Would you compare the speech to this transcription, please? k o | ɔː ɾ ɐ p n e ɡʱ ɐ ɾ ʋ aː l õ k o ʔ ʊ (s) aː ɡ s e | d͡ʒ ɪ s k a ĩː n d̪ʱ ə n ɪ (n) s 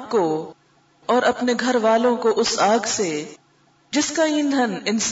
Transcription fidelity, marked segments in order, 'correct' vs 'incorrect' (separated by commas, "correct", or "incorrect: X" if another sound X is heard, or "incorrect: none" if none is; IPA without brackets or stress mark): correct, correct